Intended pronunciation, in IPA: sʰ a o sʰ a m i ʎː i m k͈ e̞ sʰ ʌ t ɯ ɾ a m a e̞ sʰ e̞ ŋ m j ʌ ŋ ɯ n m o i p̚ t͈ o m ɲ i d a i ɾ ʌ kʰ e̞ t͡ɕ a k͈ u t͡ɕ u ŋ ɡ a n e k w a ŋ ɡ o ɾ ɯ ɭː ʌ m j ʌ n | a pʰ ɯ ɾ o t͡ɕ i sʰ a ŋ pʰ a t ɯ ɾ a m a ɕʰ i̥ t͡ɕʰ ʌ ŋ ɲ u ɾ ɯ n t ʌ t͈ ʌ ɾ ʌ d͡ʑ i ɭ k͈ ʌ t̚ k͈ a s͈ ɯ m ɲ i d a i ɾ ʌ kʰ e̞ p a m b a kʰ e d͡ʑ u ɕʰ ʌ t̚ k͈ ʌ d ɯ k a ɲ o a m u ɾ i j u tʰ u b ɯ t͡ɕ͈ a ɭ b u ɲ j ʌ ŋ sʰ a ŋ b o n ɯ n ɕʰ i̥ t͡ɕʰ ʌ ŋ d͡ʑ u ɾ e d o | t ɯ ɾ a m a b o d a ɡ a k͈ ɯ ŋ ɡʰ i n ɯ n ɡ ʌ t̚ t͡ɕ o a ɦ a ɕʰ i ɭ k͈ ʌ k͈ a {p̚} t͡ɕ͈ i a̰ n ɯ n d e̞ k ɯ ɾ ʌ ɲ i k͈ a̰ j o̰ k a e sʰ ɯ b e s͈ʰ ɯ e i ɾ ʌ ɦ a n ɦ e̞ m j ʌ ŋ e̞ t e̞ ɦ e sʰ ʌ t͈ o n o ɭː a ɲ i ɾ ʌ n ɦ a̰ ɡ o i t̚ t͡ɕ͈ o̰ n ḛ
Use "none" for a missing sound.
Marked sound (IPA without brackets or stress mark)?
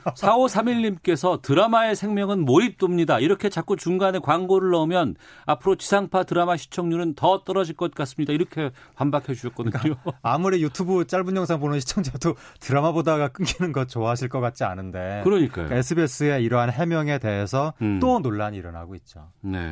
t̚